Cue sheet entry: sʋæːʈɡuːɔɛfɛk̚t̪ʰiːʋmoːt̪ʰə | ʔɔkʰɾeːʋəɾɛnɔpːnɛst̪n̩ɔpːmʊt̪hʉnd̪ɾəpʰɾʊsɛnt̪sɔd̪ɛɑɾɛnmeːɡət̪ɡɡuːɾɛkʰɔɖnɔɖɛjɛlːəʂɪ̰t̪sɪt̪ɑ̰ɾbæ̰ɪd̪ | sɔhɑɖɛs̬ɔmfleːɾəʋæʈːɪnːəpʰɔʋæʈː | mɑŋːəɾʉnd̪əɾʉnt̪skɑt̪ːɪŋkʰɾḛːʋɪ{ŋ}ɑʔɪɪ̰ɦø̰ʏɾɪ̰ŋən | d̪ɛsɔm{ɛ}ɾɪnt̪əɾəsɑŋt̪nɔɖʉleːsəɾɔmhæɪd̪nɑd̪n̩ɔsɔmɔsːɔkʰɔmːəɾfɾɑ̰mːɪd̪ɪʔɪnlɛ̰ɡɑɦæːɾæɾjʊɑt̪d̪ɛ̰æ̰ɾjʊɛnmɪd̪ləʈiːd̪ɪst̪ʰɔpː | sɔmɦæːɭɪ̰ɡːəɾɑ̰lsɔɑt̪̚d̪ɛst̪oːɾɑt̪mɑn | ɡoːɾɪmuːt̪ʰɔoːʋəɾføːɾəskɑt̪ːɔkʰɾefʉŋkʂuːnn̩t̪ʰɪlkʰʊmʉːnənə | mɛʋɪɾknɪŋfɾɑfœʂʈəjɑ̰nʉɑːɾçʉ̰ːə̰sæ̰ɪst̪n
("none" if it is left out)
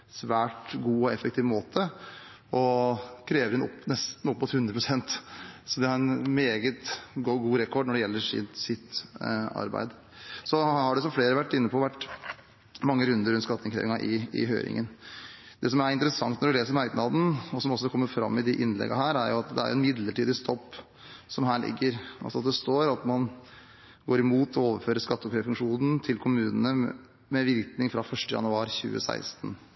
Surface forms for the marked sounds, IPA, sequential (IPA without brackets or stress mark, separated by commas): ŋ, æ